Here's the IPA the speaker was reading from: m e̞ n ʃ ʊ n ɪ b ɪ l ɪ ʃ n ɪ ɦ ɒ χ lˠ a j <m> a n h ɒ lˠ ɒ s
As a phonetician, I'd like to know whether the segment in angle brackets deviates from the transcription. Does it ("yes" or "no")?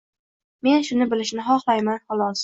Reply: no